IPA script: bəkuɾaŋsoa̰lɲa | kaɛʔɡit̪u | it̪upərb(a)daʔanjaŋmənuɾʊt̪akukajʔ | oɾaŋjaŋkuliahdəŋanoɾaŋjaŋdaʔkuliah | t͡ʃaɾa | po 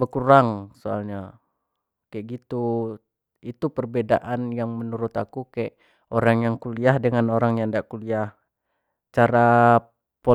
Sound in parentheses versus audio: incorrect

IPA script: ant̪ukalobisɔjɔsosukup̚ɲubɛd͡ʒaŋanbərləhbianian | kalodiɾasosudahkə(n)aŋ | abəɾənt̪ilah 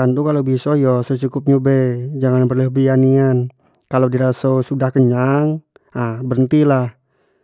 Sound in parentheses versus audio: incorrect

